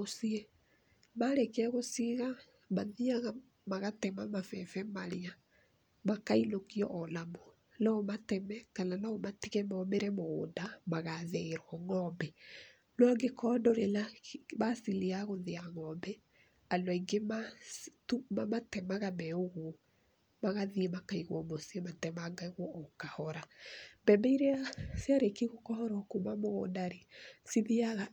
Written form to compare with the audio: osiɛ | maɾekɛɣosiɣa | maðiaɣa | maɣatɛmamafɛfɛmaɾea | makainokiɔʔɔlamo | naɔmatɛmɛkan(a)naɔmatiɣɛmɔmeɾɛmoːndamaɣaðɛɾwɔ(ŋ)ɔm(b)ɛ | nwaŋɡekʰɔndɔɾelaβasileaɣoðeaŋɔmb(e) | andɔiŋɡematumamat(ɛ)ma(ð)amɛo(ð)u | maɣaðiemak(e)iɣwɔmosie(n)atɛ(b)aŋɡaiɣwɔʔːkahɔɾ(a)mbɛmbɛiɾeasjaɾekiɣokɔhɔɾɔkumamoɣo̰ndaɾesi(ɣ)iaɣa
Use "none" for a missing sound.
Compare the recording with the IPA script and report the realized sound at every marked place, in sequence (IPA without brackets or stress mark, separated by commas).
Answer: a, ŋ, b, ɛ, ɛ, ɣ, ɣ, a, m, m, a, ð